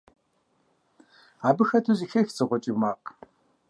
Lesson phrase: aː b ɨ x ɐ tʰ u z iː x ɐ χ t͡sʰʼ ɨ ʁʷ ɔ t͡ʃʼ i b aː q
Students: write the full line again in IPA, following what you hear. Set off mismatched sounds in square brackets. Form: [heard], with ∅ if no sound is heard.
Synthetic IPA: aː b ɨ x ɐ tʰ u z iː x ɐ [x] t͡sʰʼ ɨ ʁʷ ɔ t͡ʃʼ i [m] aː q